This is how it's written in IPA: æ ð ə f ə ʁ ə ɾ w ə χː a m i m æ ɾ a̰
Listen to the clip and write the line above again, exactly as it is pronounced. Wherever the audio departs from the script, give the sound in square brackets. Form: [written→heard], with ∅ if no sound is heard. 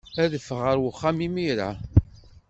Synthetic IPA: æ ð ə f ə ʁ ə ɾ w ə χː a m i m [æ→i] ɾ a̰